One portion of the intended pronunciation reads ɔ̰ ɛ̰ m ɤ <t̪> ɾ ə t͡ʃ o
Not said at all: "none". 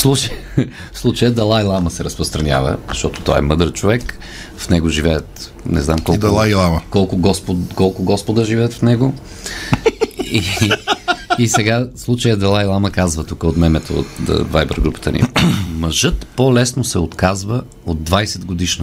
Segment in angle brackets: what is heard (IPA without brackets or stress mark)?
d̪